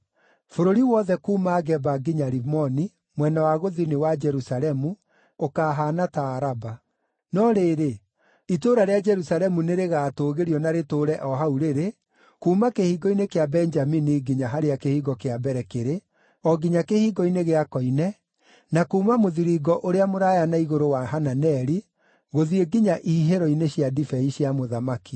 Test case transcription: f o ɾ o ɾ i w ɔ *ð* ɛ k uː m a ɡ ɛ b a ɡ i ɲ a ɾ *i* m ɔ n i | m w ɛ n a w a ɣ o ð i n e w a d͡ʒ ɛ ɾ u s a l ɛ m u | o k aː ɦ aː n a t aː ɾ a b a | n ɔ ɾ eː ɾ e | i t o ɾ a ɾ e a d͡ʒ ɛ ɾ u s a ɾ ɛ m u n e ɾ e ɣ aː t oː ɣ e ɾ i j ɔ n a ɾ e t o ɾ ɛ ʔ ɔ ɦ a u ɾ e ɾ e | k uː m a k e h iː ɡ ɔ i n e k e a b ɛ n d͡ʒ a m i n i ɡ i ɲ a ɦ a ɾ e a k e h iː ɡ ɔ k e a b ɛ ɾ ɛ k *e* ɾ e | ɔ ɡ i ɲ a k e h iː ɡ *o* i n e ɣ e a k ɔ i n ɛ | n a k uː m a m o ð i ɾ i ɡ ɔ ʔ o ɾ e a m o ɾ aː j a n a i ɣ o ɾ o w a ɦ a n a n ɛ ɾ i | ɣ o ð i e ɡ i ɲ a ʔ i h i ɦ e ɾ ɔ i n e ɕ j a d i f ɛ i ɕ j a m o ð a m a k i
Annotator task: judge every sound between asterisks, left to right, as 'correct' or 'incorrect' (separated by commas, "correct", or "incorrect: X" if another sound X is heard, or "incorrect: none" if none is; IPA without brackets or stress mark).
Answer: correct, correct, correct, incorrect: ɔ